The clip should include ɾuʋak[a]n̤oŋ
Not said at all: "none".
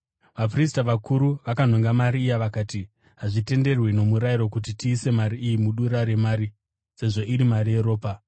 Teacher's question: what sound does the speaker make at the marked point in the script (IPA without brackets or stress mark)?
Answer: a